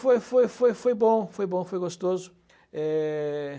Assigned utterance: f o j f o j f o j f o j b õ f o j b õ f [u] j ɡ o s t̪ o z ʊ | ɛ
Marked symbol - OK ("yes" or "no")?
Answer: no